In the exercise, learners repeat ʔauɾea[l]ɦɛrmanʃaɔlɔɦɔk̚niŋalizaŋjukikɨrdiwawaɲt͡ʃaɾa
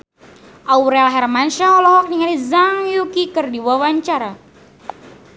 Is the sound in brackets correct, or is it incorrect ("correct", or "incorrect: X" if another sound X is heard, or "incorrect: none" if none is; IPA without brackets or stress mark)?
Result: correct